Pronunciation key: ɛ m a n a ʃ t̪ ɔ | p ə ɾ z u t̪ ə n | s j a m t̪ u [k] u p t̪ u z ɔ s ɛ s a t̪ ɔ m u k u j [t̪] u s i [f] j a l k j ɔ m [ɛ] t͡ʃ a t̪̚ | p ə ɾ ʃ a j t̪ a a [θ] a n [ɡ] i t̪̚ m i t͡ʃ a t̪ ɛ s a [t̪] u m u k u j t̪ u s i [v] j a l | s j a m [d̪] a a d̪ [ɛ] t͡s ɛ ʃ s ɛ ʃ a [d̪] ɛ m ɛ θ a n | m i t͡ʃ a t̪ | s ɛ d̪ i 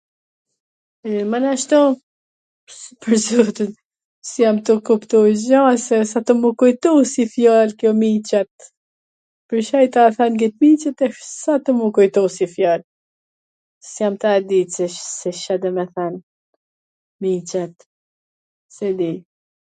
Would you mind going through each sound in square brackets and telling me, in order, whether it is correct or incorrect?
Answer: correct, correct, correct, incorrect, correct, correct, correct, incorrect, incorrect, incorrect, correct

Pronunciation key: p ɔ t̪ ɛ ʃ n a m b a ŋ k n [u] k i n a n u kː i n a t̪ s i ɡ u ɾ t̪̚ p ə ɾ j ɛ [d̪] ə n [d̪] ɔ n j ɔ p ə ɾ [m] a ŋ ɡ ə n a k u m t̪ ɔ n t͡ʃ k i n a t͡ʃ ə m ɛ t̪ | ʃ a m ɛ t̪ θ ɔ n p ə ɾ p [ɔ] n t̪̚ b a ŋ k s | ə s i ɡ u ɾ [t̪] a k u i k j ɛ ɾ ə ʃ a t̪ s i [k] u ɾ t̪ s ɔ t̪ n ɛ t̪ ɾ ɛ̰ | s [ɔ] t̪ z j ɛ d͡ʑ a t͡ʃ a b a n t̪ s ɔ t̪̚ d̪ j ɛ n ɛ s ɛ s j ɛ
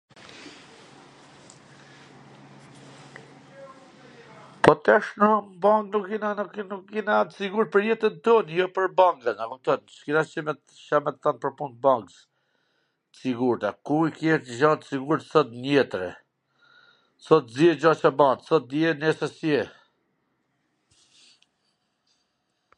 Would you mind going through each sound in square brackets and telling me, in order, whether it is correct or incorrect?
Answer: correct, incorrect, incorrect, incorrect, incorrect, correct, incorrect, correct

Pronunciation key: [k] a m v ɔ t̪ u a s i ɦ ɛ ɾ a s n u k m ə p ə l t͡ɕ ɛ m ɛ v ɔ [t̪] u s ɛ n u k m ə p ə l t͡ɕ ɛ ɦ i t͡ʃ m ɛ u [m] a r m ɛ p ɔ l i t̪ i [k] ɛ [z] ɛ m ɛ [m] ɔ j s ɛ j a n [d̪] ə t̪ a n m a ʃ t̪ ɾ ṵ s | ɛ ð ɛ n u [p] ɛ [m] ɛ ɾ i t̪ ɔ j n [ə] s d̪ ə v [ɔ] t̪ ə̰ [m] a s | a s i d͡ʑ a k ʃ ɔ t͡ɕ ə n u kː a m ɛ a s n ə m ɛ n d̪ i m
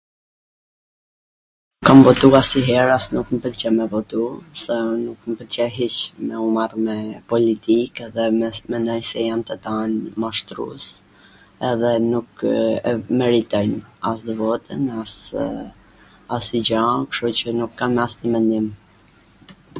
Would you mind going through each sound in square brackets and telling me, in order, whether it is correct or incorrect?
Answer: correct, correct, correct, correct, incorrect, incorrect, incorrect, incorrect, correct, incorrect, correct, incorrect

